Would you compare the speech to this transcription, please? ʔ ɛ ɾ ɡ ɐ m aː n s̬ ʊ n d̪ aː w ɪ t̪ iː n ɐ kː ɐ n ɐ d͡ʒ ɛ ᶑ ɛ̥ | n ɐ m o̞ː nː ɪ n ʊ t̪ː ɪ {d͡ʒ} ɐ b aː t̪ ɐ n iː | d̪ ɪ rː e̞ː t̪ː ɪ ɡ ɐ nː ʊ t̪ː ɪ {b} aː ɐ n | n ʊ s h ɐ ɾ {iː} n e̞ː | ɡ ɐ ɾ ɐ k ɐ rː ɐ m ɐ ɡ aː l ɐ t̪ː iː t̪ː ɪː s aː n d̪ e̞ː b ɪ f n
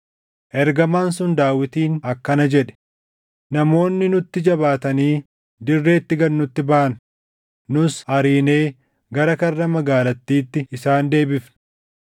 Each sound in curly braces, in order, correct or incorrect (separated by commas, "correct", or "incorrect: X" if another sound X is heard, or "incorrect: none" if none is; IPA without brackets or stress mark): correct, correct, correct